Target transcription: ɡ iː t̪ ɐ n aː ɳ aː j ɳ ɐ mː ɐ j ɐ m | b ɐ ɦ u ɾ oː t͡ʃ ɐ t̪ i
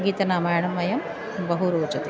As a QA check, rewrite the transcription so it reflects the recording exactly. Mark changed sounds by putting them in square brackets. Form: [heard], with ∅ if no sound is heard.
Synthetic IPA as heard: ɡ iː t̪ ɐ n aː [m] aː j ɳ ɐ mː ɐ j ɐ m | b ɐ ɦ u ɾ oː t͡ʃ ɐ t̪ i